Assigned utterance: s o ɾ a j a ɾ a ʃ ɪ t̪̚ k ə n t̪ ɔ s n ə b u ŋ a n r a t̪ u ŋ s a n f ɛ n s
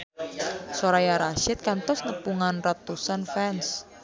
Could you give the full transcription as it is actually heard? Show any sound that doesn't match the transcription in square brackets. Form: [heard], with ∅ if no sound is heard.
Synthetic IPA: s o ɾ a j a ɾ a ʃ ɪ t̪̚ k [a] n t̪ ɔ s n ə [p] u ŋ a n r a t̪ u [∅] s a n f ɛ n s